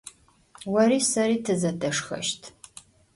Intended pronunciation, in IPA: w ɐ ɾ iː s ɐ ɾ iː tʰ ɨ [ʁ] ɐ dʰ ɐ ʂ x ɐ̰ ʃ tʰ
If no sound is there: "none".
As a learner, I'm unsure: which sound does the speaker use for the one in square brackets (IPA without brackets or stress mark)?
z